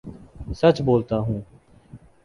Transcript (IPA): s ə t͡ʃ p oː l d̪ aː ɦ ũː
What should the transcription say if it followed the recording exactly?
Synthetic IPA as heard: s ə t͡ʃ b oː l t̪ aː ɦ ũː